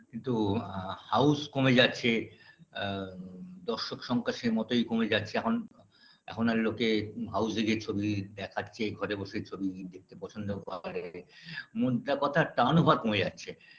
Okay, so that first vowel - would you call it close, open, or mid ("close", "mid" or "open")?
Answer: close